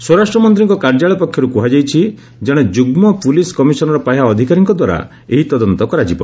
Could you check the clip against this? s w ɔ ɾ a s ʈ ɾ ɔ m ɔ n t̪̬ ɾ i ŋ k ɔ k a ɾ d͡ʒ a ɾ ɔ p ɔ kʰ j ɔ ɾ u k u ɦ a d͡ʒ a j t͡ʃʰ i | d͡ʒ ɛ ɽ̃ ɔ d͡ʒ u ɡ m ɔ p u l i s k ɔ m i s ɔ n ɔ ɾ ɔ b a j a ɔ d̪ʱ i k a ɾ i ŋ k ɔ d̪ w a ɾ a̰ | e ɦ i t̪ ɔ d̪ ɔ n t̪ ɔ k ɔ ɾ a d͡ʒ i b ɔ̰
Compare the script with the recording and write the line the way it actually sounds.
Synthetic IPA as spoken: s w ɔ ɾ a s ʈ ɾ ɔ m ɔ n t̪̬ ɾ i ŋ k ɔ k a ɾ d͡ʒ a ɭ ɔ p ɔ kʰ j ɔ ɾ u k u ɦ a d͡ʒ a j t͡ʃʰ i | d͡ʒ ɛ ɽ̃ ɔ d͡ʒ u ɡ m ɔ p u l i s k ɔ m i s ɔ n ɔ ɾ ɔ p a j a ɔ d̪ʱ i k a ɾ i ŋ k ɔ d̪ w a ɾ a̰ | e ɦ i t̪ ɔ d̪ ɔ n t̪ ɔ k ɔ ɾ a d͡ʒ i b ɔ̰